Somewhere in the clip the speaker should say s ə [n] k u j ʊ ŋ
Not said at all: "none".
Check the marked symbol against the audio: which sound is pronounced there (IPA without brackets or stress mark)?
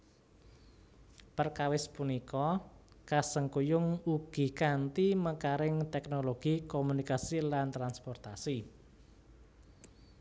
ŋ